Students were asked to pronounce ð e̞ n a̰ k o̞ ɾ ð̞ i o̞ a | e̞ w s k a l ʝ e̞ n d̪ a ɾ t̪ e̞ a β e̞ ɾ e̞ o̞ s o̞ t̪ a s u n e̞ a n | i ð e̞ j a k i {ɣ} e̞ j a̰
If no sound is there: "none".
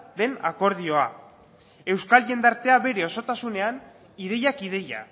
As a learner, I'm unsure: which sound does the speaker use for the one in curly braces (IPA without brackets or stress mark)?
ð